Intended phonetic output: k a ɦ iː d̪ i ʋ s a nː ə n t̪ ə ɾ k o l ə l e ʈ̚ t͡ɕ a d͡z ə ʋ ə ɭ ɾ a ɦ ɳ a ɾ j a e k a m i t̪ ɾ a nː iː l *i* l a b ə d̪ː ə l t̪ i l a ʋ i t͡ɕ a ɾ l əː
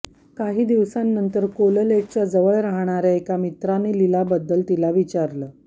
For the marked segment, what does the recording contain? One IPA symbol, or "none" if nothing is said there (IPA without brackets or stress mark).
i